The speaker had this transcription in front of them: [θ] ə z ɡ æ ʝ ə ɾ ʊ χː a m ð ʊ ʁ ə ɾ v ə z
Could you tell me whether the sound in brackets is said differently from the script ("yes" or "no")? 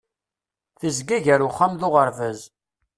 no